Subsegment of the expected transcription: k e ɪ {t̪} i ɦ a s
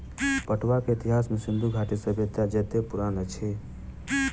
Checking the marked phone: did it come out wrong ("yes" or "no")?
no